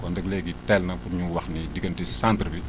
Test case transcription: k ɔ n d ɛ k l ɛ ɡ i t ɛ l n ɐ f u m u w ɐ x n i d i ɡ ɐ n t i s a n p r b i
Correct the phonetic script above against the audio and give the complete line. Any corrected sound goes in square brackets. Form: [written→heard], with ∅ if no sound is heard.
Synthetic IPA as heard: k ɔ n d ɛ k l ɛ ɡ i t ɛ l n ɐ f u [m→ɲ] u w ɐ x n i d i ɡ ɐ n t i s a n [p→t] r b i